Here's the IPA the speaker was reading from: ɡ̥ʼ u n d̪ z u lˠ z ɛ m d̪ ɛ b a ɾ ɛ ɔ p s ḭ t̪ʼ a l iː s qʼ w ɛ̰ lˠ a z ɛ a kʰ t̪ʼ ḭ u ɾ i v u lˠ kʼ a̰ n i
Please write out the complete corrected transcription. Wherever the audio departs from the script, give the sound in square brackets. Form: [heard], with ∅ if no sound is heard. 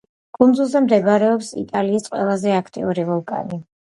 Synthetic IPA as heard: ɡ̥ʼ u n d̪ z u lˠ z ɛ m d̪ ɛ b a ɾ ɛ ɔ p s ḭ t̪ʼ a l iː s qʼ w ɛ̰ lˠ a z ɛ a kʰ t̪ʼ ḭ u ɾ i v [ɔ] lˠ kʼ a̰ n i